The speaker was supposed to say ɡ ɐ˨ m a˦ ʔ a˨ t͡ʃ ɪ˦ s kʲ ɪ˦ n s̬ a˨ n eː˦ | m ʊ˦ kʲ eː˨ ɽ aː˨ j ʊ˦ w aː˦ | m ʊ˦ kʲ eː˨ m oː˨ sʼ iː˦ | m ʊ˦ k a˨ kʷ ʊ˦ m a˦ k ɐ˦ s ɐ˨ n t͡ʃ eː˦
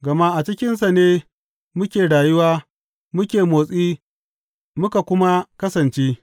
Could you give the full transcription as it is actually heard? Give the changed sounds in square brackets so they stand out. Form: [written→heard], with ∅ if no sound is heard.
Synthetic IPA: ɡ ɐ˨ m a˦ ʔ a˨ t͡ʃ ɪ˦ [s→∅] kʲ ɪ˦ n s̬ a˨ n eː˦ | m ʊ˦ kʲ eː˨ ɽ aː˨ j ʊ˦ w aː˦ | m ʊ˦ kʲ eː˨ m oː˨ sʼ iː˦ | m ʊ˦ k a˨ kʷ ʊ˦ m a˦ k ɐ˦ s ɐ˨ n t͡ʃ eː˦